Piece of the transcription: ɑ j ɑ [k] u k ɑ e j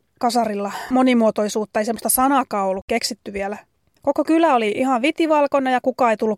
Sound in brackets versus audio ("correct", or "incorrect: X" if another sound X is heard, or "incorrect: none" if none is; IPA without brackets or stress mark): correct